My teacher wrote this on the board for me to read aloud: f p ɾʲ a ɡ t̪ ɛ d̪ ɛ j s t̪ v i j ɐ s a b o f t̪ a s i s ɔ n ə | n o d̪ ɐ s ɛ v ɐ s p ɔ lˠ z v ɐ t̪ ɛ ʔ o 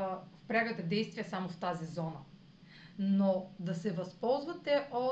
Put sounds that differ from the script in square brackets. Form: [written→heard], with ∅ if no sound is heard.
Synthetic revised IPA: f p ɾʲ a ɡ t̪ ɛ d̪ ɛ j s t̪ v i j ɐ s a [b→m] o f t̪ a [s→z] i [s→z] ɔ n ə | n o d̪ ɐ s ɛ v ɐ s p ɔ lˠ z v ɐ t̪ ɛ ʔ o